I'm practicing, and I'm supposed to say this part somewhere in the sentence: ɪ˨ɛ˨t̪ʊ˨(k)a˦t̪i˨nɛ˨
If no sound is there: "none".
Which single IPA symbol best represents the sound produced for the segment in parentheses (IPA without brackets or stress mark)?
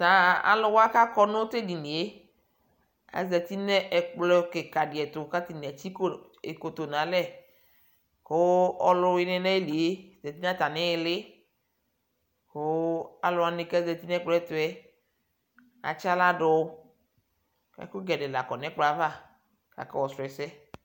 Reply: k